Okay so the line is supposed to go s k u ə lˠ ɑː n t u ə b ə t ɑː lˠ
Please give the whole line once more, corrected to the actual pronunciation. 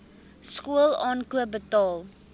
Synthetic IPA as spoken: s k u ə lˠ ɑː n k u ə b ə t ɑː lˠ